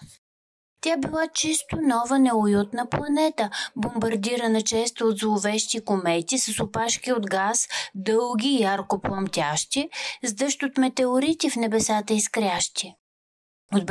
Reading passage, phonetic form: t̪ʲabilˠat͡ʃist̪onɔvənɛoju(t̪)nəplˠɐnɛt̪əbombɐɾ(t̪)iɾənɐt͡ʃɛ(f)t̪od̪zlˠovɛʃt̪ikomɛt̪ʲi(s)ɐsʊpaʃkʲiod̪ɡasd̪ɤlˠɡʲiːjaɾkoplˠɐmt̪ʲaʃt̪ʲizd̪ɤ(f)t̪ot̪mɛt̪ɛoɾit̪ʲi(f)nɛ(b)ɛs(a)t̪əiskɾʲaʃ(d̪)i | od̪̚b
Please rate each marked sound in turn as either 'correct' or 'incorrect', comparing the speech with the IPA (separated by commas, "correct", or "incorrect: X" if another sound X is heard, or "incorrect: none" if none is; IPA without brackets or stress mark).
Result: correct, incorrect: d̪, incorrect: s, correct, incorrect: ʃ, correct, correct, correct, incorrect: t̪